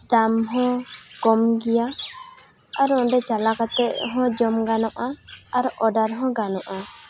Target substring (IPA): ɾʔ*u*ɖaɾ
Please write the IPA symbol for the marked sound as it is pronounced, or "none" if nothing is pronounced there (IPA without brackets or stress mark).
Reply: ɔ